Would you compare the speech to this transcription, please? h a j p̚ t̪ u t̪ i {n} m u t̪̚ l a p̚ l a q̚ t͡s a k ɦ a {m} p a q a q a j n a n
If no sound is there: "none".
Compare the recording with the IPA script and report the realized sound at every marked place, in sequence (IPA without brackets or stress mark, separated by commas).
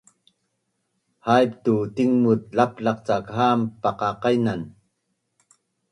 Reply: ŋ, m